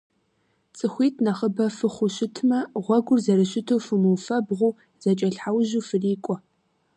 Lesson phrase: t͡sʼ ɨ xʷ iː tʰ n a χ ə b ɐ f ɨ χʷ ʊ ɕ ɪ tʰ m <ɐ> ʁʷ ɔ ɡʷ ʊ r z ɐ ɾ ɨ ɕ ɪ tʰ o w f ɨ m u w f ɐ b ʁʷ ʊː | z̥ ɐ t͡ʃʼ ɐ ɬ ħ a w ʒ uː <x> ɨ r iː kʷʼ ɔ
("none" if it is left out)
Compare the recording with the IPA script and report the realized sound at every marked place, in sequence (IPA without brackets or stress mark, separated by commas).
ɐ, f